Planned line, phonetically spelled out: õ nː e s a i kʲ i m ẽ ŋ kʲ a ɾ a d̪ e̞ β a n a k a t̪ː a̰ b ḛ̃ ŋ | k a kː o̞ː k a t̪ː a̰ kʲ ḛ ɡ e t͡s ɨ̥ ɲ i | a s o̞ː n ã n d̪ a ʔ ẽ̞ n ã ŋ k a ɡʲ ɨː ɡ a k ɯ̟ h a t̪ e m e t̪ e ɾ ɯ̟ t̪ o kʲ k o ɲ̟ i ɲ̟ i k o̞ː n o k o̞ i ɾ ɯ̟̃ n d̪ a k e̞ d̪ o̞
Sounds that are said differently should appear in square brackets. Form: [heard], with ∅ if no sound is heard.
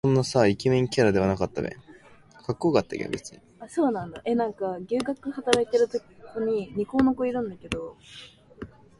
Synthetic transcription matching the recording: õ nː [a] s a i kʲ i m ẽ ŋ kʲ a ɾ a d̪ e̞ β a n a k a t̪ː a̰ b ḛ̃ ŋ | k a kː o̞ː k a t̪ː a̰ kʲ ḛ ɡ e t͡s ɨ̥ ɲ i | a s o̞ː n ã n d̪ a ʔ [e̞] n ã ŋ k a ɡʲ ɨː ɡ a k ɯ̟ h a t̪ [a] m e t̪ e ɾ ɯ̟ t̪ o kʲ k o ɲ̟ i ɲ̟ i k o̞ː n o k o̞ i ɾ ɯ̟̃ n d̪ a k e̞ d̪ o̞